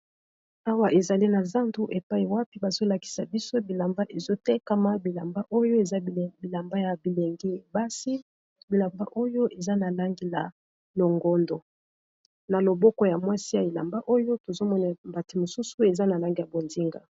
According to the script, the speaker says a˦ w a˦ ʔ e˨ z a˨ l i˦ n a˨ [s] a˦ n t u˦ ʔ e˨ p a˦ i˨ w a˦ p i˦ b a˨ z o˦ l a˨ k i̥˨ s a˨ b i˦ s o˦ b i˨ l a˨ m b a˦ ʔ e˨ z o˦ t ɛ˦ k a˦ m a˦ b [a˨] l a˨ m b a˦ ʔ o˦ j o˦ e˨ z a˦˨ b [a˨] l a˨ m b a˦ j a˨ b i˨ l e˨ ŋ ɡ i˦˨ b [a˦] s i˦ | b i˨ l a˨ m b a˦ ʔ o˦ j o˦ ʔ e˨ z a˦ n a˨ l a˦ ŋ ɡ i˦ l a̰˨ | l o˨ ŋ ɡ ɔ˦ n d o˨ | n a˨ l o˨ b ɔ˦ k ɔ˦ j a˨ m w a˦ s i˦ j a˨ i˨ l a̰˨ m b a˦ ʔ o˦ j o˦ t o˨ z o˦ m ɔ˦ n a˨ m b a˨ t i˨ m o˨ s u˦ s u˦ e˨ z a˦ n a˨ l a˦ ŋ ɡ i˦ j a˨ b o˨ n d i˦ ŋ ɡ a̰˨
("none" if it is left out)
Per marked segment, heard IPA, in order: z, i˨, i˨, a˦

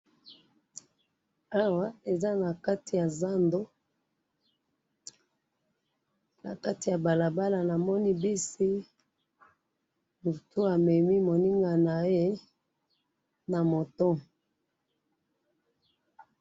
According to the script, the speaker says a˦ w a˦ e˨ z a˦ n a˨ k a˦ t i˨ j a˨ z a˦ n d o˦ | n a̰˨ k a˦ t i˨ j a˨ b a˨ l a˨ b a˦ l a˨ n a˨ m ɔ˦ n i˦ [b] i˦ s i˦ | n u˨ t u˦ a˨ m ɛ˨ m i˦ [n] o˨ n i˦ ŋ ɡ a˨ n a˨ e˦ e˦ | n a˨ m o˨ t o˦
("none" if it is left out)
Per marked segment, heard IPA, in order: b, m

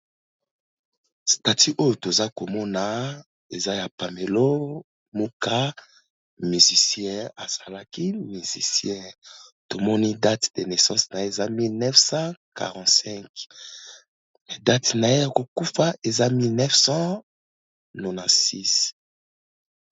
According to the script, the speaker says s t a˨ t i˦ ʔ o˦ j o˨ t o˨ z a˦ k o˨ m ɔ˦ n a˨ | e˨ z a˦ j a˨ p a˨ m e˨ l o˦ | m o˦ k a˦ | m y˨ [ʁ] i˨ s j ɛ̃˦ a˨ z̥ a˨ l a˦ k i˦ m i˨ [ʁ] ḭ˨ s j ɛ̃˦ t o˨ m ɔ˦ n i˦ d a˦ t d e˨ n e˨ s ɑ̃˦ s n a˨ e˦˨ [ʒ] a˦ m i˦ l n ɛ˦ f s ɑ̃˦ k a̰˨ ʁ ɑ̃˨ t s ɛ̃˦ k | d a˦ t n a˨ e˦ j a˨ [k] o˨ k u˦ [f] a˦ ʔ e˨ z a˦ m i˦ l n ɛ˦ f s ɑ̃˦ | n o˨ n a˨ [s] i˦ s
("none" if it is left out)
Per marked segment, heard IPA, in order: z, z, z, k, f, s

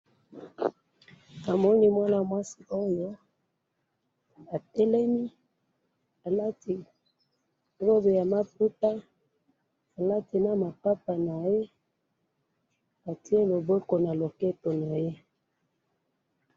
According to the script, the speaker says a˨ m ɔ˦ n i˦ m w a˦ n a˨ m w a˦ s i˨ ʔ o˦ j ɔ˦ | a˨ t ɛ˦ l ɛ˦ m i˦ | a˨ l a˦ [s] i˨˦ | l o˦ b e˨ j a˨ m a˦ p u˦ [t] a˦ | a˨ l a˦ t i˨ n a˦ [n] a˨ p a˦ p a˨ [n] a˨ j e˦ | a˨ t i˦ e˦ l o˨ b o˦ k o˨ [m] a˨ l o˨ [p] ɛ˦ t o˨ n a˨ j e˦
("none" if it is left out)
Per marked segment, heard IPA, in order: t, t, m, n, n, k

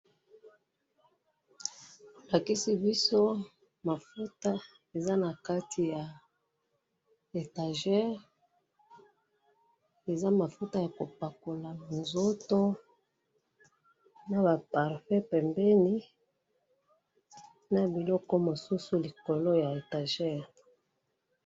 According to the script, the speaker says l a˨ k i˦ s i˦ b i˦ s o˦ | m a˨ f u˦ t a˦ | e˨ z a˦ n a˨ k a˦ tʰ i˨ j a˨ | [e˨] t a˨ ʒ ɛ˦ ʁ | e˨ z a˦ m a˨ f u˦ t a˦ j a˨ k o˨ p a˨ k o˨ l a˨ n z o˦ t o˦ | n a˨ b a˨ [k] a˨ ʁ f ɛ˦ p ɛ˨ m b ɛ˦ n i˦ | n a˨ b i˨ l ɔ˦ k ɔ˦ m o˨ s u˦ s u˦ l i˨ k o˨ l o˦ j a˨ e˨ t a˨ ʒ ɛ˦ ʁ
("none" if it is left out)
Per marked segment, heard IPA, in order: e˨, p

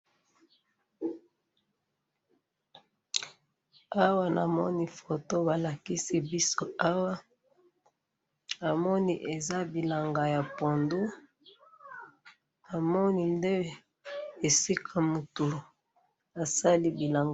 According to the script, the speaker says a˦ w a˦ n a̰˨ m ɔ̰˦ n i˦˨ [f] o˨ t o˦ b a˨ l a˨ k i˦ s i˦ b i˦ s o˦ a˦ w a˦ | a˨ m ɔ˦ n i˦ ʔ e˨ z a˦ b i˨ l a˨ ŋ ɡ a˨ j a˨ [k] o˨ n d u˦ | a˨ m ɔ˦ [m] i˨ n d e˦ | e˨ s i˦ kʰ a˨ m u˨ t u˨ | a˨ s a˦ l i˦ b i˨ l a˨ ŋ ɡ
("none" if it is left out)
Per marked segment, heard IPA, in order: f, p, n

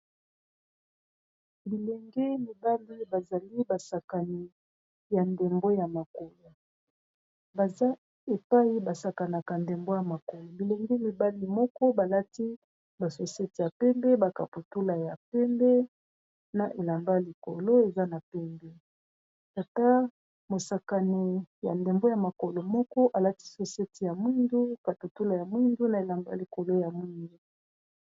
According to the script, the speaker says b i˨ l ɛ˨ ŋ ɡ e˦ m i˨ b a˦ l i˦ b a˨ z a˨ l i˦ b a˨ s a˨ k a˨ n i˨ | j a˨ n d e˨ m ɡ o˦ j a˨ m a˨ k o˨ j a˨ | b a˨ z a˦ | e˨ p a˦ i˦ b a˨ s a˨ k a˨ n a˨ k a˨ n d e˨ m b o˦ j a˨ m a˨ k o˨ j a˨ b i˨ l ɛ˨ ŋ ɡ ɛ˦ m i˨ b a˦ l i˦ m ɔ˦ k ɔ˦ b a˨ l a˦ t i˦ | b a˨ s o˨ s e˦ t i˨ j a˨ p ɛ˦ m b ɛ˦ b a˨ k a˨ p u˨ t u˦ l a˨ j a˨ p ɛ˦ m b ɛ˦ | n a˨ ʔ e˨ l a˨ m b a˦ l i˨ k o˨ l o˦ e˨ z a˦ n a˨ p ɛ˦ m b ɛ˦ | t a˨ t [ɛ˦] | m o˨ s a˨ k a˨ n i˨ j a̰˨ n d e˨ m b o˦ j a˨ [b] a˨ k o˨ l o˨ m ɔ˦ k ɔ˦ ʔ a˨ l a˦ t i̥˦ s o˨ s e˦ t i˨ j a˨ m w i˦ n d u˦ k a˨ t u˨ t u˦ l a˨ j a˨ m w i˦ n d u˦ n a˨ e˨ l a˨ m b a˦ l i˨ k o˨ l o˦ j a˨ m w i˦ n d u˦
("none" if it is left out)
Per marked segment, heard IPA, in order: a˦, m

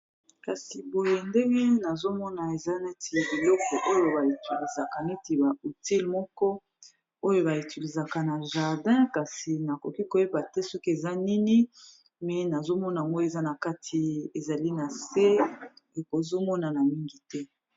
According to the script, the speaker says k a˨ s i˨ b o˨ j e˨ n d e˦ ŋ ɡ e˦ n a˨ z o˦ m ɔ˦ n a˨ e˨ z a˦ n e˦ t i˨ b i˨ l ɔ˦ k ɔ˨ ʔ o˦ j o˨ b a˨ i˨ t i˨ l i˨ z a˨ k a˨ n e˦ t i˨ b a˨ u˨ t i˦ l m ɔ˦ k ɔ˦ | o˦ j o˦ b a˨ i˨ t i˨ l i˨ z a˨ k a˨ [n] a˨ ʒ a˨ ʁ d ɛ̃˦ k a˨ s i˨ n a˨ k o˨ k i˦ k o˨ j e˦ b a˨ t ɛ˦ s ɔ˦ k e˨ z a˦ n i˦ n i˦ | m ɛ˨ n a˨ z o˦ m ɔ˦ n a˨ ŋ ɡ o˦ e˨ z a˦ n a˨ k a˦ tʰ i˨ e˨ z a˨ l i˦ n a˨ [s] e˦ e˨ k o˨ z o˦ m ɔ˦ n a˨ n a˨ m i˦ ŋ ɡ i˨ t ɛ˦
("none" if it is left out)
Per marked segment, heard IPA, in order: n, s

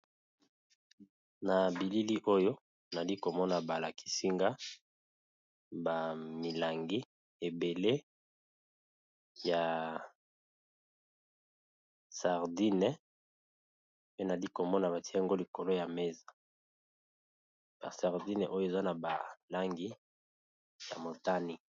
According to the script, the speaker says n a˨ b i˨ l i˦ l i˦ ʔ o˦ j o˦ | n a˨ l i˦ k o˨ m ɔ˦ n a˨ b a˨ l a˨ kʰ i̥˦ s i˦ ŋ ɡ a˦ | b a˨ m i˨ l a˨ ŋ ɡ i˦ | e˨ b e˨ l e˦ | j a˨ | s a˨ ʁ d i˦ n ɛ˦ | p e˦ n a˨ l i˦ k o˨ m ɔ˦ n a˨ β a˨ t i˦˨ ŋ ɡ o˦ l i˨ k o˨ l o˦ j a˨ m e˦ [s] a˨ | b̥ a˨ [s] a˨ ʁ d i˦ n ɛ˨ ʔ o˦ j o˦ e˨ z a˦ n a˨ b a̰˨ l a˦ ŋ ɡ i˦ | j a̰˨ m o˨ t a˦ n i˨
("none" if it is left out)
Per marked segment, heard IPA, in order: z, s

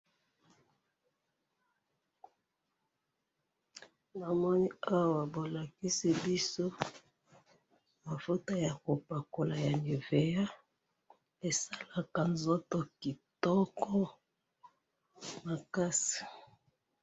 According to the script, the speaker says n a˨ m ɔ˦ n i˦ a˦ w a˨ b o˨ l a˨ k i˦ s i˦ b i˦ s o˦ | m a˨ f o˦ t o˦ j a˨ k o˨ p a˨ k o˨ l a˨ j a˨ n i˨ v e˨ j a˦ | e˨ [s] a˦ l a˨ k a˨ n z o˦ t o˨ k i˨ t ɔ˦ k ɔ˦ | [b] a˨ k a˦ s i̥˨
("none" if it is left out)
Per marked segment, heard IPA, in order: s, m

